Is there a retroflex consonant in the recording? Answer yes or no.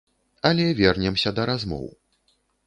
no